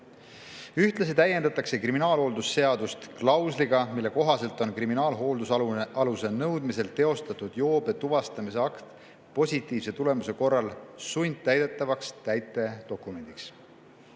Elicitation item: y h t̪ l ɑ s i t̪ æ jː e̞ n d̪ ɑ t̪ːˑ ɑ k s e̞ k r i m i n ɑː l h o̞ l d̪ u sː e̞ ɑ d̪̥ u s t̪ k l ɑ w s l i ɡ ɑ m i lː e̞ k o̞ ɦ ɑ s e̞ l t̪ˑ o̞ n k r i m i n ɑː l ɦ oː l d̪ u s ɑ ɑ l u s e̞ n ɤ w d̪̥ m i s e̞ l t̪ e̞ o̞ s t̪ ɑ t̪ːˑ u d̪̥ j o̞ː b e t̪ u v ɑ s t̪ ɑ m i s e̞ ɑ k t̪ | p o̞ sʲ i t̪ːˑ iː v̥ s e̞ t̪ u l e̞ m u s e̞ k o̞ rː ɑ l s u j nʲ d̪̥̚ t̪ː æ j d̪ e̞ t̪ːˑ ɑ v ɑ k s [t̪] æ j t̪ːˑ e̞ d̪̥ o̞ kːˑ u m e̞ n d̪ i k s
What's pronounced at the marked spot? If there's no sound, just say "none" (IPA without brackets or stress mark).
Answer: t̪